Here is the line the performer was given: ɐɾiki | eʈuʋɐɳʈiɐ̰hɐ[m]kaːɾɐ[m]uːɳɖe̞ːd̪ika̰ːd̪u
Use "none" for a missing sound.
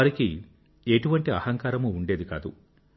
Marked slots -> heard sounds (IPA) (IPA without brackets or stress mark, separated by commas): ŋ, m